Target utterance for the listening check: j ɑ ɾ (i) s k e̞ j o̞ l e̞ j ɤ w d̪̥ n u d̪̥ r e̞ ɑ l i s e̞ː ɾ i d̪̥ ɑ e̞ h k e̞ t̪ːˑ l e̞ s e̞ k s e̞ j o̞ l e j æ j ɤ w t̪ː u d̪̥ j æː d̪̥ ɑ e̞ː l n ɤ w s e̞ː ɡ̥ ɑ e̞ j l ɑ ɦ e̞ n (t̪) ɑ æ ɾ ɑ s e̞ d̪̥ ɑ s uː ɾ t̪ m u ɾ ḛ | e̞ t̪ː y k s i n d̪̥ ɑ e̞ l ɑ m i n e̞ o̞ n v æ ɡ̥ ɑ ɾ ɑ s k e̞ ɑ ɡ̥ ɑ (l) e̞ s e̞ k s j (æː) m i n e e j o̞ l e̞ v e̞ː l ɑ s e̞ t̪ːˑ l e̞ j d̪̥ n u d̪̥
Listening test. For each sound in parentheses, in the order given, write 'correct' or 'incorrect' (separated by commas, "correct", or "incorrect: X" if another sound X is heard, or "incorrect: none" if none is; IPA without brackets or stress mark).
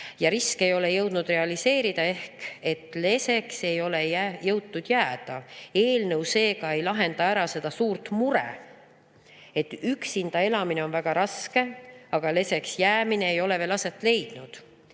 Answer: correct, incorrect: d̪, correct, correct